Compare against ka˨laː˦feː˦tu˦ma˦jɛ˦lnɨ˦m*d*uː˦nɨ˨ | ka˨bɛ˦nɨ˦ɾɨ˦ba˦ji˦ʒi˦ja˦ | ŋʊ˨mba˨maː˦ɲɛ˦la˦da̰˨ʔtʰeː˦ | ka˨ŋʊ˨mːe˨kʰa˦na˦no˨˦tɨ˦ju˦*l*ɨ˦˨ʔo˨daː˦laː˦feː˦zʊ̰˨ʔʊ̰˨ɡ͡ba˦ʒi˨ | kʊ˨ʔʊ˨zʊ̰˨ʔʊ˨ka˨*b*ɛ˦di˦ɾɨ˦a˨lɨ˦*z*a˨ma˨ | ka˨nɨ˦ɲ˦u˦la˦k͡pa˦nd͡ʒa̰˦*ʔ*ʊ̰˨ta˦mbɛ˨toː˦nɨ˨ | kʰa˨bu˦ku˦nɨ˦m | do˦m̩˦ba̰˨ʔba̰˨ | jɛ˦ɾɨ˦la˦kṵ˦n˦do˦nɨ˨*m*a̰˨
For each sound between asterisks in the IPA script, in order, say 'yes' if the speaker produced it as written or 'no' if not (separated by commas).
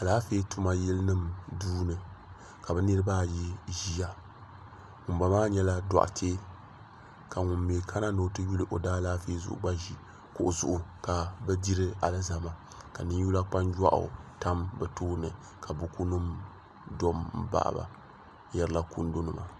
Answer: yes, yes, yes, yes, yes, yes